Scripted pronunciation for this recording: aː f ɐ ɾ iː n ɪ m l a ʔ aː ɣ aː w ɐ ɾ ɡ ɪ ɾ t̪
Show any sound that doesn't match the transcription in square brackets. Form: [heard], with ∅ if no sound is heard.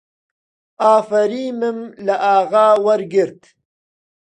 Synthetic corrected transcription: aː f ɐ ɾ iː [m] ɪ m l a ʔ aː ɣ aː w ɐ ɾ ɡ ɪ ɾ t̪